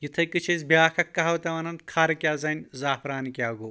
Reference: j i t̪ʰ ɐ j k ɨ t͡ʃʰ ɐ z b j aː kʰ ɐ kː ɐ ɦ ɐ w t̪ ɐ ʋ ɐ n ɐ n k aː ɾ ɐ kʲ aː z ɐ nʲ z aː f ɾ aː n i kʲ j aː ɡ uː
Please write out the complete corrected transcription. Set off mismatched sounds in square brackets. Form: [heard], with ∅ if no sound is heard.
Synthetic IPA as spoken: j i t̪ʰ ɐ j k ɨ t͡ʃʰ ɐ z b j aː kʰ ɐ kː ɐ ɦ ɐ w t̪ ɐ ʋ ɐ n ɐ n [kʰ] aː ɾ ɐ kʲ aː z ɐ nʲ z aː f ɾ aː n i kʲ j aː ɡ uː